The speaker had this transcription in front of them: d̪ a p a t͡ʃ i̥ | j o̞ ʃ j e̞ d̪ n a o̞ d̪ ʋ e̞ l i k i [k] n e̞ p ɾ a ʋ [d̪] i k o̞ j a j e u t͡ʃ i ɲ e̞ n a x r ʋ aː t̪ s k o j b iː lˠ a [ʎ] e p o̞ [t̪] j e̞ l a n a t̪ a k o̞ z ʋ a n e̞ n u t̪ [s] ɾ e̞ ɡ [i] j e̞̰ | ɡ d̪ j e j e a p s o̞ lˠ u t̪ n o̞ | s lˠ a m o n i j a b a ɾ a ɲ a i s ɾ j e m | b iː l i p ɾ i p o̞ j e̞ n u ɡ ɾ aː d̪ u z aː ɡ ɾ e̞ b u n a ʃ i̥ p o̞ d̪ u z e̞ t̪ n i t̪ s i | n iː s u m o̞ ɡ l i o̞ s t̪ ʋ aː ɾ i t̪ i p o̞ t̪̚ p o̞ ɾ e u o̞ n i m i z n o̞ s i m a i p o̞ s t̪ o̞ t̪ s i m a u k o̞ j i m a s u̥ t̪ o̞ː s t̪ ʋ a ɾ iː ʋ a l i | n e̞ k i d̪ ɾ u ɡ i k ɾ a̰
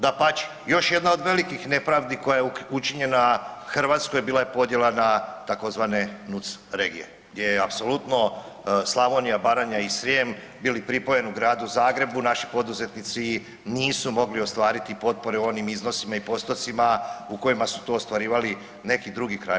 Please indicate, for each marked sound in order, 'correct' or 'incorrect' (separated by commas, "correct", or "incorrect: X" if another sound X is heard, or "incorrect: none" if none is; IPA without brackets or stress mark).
incorrect: x, correct, incorrect: j, incorrect: d̪, correct, correct